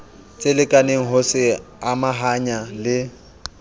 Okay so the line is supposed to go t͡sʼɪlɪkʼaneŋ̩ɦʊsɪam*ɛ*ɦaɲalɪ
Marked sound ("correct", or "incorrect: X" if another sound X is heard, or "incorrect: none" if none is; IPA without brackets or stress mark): incorrect: a